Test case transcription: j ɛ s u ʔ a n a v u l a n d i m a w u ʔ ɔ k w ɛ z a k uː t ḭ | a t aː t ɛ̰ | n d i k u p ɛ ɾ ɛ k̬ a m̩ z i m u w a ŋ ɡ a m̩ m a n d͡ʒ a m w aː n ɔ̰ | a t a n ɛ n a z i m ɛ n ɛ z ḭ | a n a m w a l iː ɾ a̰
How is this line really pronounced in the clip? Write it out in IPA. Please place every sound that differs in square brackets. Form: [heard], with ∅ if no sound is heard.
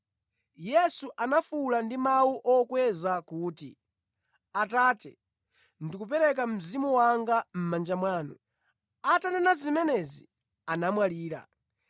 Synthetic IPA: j ɛ s u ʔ a n a [f] u l a n d i m a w u ʔ ɔ k w ɛ z a k uː t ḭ | a t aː t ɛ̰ | n d i k u p ɛ ɾ ɛ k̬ a m̩ z i m u w a ŋ ɡ a m̩ m a n d͡ʒ a m w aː n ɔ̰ | a t a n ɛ n a z i m ɛ n ɛ z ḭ | a n a m w a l iː ɾ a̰

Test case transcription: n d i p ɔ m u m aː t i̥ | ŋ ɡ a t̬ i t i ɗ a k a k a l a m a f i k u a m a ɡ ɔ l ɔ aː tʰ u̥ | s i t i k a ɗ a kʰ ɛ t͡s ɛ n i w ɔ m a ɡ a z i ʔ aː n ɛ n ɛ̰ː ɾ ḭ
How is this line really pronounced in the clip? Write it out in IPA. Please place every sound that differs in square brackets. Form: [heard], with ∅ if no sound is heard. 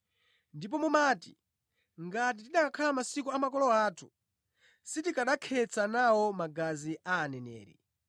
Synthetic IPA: n d i p ɔ m u m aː t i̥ | ŋ ɡ a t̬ i t i ɗ a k a [kʰ] a l a m a [s] i k u a m a [k] ɔ l ɔ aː tʰ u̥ | s i t i k a ɗ a kʰ ɛ t͡s [a] n [a] w ɔ m a ɡ a z i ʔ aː n ɛ n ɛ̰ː ɾ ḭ

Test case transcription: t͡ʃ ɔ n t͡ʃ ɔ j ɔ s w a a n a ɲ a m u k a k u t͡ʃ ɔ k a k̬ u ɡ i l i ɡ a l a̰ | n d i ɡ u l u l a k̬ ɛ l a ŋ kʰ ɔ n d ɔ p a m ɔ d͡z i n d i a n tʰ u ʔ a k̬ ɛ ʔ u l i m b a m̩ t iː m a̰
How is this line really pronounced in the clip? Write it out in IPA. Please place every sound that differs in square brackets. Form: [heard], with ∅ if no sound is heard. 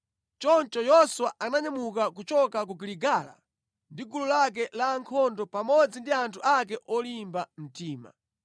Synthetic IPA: t͡ʃ ɔ n t͡ʃ ɔ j ɔ s w a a n a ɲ a m u k a k u t͡ʃ ɔ k a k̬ u ɡ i l i ɡ a l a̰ | n d i ɡ u l u l a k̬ ɛ l a ŋ kʰ ɔ n d ɔ p a m ɔ d͡z i n d i a n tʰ u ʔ a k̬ ɛ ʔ [ɔ] l i m b a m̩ t iː m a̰

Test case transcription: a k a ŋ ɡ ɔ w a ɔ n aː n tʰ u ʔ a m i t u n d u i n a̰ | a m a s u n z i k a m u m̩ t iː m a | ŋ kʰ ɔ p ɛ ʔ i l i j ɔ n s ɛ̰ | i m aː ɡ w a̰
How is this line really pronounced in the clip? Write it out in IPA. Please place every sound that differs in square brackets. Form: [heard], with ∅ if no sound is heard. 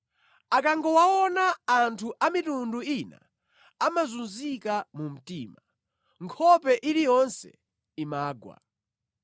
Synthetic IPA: a k a ŋ ɡ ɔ w a ɔ n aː n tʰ u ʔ a m i t u n d u i n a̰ | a m a [z] u n z i k a m u m̩ t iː m a | ŋ kʰ ɔ p ɛ ʔ i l i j ɔ n s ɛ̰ | i m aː ɡ w a̰

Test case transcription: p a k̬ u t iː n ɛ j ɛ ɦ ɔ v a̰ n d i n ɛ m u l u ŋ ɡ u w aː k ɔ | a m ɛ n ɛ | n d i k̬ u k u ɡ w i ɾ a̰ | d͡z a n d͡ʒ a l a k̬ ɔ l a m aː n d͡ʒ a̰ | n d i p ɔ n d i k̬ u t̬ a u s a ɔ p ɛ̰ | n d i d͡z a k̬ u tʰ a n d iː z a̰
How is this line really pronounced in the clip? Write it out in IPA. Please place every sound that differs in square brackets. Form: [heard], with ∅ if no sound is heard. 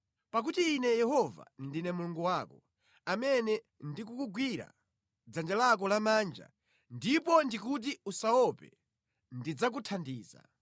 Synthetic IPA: p a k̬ u t iː n ɛ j ɛ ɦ ɔ v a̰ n d i n ɛ m u l u ŋ ɡ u w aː k ɔ | a m ɛ n ɛ | n d i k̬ u k u ɡ w i ɾ a̰ | d͡z a n d͡ʒ a l a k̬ ɔ l a m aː n d͡ʒ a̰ | n d i p ɔ n d i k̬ u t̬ [i] u s a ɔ p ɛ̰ | n d i d͡z a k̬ u tʰ a n d iː z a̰

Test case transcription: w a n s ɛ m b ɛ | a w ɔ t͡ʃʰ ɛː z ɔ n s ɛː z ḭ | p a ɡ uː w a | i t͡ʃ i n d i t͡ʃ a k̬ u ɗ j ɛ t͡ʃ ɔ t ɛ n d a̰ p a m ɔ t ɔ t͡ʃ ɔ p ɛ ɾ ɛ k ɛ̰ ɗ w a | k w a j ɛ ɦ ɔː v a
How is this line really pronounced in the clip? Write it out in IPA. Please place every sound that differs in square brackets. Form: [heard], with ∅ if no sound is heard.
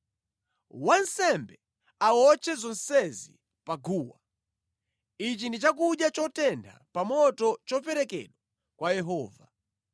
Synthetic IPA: w a n s ɛ m b ɛ | a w ɔ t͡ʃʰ [ɛ] z ɔ n s [ɛ] z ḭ | p a ɡ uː w a | i t͡ʃ i n d i t͡ʃ a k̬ u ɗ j [a] t͡ʃ ɔ t ɛ n d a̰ p a m ɔ t ɔ t͡ʃ ɔ p ɛ ɾ ɛ k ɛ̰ ɗ w a | k w a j ɛ ɦ ɔː v a

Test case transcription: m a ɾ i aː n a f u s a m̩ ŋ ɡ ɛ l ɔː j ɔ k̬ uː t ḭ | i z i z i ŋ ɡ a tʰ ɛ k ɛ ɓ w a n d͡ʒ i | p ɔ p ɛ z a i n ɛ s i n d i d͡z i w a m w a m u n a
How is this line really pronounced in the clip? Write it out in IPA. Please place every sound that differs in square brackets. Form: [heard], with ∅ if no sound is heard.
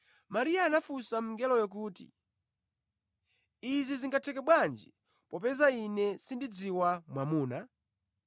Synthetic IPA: m a ɾ i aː n a f u s a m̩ ŋ ɡ ɛ l [ɔ] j ɔ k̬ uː t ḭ | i z i z i ŋ ɡ a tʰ ɛ k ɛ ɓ w a n d͡ʒ i | p ɔ p ɛ z a i n ɛ s i n d i d͡z i w a m w a m [uː] n a

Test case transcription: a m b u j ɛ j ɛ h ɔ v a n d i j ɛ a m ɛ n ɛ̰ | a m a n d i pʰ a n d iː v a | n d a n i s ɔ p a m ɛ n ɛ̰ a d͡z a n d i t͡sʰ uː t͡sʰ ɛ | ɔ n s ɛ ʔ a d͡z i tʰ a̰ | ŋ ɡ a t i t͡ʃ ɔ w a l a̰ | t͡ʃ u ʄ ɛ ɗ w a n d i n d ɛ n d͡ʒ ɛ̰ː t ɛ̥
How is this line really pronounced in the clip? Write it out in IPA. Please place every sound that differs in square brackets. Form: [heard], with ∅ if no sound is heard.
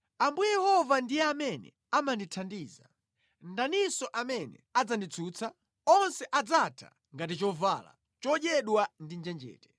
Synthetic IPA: a m b u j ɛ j ɛ h ɔ v a n d i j ɛ a m ɛ n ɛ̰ | a m a n d i [tʰ] a n d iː [z] a | n d a n i s ɔ [ʔ] a m ɛ n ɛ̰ a d͡z a n d i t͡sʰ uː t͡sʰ [a] | ɔ n s ɛ ʔ a d͡z [a] tʰ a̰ | ŋ ɡ a t i t͡ʃ ɔ [v] a l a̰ | t͡ʃ [ɔ] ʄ ɛ ɗ w a n d i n [d͡ʒ] ɛ n d͡ʒ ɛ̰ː t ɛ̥

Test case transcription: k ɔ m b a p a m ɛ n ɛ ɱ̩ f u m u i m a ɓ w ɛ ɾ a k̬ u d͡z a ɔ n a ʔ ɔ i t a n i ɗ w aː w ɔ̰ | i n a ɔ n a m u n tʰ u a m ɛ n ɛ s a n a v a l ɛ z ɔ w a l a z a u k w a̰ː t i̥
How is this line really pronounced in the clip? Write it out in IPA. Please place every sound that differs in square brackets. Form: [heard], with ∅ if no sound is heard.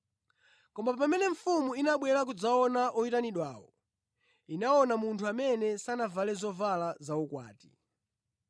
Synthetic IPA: k ɔ m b a p a m ɛ n ɛ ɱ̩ f u m u i [n] a ɓ w ɛ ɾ a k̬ u d͡z a ɔ n a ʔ ɔ i t a n i ɗ w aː w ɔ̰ | i n a ɔ n a m u n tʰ u a m ɛ n ɛ s a n a v a l ɛ z ɔ [v] a l a z a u k w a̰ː t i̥

